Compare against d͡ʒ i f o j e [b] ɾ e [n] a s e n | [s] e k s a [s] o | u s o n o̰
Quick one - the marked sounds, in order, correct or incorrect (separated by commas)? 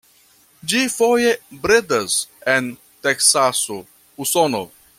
correct, incorrect, incorrect, correct